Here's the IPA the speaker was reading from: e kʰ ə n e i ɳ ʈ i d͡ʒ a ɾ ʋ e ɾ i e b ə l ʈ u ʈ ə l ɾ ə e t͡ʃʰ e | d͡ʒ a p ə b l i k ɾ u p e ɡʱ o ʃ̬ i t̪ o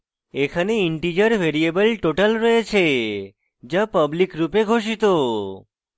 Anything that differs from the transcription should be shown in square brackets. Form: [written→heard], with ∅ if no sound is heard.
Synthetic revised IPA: e kʰ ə n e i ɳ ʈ i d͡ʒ [a→ə] ɾ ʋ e ɾ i e b ə l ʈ [u→o] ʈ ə l ɾ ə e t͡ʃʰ e | d͡ʒ a p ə b l i k ɾ u p e ɡʱ o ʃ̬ i t̪ o